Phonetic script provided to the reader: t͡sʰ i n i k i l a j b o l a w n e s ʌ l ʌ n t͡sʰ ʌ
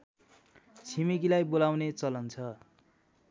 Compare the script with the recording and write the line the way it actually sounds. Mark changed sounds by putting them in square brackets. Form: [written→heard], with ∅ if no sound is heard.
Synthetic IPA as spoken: t͡sʰ i [n→m] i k i l a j b o l a w n e [s→t͡s] ʌ l ʌ n t͡sʰ ʌ